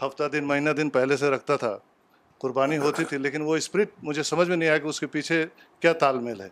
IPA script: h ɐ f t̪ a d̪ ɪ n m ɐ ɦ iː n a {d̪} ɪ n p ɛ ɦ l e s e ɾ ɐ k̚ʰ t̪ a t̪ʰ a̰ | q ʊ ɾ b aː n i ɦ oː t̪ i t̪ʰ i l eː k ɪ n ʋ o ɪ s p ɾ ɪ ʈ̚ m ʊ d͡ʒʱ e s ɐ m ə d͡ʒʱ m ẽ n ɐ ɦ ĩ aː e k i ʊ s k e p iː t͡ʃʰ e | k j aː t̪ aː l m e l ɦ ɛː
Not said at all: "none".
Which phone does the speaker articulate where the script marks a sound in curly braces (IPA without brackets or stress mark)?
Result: d̪